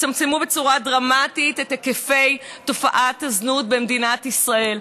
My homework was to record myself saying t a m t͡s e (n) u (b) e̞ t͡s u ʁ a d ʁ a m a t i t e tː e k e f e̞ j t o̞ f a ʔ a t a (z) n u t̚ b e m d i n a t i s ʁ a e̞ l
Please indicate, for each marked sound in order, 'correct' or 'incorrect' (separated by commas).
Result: incorrect, correct, correct